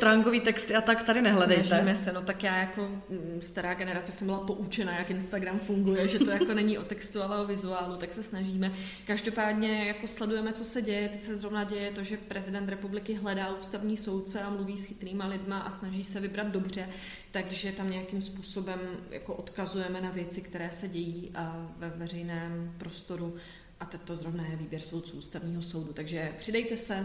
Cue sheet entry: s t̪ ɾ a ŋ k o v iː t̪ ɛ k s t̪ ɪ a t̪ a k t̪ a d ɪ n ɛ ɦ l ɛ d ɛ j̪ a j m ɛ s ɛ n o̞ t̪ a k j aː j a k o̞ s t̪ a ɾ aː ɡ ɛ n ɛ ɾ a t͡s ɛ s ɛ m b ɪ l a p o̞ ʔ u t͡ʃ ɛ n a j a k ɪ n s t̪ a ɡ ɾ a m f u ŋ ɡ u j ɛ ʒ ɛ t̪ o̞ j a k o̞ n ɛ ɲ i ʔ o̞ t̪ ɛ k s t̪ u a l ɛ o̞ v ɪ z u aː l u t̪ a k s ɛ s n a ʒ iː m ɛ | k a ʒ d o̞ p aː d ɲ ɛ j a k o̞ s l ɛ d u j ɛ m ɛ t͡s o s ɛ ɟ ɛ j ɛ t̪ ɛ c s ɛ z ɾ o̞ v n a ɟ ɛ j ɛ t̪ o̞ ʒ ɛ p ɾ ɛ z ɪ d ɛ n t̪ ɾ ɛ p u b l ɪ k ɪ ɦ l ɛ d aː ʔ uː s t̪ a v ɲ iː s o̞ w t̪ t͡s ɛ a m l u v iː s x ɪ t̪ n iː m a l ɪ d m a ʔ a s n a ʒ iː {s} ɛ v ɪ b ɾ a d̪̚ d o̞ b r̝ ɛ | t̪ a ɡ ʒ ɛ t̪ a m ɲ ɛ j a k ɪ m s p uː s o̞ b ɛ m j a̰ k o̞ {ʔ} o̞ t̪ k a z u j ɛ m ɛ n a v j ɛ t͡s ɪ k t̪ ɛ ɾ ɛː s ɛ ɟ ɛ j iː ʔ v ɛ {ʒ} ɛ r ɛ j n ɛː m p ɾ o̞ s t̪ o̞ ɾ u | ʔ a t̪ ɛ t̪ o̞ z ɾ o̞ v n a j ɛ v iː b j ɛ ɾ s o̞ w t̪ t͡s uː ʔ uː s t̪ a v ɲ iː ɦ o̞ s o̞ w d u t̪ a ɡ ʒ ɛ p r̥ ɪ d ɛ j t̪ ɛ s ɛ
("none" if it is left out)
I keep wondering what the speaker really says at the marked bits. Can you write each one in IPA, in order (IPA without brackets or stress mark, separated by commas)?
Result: s, ʔ, v